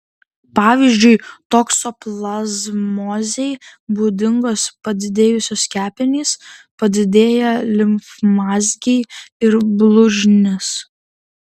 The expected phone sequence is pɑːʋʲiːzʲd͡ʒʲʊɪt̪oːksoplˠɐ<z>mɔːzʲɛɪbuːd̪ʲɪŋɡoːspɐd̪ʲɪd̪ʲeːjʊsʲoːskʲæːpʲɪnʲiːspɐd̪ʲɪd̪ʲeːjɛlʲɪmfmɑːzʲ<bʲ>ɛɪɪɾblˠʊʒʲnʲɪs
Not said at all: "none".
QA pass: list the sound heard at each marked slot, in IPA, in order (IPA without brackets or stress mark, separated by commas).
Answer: z, ɡʲ